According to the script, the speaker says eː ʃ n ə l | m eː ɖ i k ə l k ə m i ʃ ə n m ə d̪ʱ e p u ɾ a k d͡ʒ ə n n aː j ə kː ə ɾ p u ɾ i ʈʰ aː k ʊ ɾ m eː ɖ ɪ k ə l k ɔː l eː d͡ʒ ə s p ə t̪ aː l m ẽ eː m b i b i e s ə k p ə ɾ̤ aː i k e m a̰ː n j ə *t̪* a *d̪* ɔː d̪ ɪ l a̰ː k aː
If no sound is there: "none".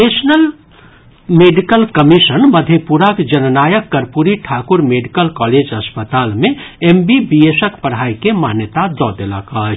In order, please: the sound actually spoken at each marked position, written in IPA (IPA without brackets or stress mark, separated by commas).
t̪, d̪